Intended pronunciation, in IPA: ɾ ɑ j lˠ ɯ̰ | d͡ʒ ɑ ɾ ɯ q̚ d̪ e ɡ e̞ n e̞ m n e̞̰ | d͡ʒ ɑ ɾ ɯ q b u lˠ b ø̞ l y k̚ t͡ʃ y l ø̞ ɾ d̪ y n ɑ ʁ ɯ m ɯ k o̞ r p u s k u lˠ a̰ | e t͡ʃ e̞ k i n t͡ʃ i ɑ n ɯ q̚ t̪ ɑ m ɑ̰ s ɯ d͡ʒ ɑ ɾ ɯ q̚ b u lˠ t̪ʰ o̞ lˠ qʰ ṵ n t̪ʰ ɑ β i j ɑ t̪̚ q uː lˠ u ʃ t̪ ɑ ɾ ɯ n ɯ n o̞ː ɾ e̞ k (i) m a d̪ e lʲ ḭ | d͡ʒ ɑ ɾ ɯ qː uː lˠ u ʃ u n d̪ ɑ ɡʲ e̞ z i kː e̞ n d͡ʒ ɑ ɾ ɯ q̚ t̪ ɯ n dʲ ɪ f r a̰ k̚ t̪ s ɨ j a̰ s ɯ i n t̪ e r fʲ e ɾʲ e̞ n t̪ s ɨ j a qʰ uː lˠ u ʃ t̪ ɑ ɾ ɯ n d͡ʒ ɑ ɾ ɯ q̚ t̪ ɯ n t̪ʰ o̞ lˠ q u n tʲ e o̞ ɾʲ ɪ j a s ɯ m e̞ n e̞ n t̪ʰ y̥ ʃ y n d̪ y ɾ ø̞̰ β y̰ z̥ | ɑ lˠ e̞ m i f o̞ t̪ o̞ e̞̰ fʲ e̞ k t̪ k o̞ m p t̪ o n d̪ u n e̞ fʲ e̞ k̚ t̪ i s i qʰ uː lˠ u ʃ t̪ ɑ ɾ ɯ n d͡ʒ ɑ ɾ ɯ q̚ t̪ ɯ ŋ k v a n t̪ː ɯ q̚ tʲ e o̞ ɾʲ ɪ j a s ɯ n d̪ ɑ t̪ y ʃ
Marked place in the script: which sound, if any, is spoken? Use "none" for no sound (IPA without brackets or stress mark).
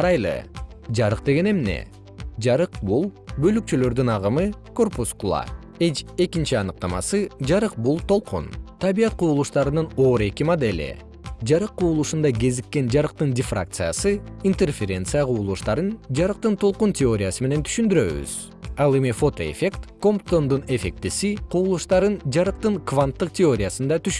i